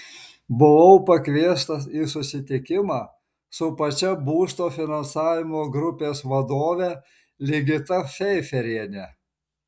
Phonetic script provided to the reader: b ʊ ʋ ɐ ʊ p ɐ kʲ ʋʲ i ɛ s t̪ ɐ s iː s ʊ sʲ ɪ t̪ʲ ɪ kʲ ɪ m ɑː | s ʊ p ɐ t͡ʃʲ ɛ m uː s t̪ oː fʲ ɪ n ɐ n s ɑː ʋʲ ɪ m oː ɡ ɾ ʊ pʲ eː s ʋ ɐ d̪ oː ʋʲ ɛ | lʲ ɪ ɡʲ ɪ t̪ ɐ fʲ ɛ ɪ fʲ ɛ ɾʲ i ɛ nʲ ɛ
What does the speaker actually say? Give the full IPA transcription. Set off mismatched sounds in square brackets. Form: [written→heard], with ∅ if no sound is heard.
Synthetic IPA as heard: b ʊ ʋ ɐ ʊ p ɐ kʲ ʋʲ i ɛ s t̪ ɐ s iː s ʊ sʲ ɪ t̪ʲ ɪ kʲ ɪ m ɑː | s ʊ p ɐ t͡ʃʲ ɛ [m→b] uː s t̪ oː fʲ ɪ n ɐ n s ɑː ʋʲ ɪ m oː ɡ ɾ ʊ pʲ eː s ʋ ɐ d̪ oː ʋʲ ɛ | lʲ ɪ ɡʲ ɪ t̪ ɐ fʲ ɛ ɪ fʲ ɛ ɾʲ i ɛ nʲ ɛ